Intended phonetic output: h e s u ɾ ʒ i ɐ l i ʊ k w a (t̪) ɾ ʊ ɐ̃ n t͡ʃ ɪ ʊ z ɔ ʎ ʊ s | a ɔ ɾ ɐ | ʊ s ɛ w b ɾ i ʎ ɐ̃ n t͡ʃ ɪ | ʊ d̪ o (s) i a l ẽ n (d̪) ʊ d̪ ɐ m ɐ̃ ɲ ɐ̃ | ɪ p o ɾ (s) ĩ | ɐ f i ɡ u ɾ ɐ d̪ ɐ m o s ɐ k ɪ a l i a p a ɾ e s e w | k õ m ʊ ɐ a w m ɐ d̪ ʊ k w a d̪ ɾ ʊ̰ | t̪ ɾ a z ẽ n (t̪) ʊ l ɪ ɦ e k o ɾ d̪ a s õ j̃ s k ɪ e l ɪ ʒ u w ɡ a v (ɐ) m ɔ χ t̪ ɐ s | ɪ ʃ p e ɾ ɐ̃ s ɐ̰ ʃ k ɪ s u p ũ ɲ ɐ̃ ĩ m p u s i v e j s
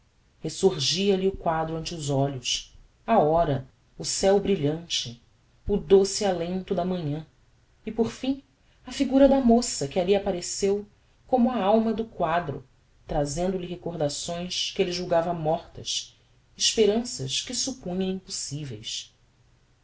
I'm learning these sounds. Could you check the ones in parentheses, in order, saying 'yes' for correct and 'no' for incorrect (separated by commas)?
no, yes, no, no, no, yes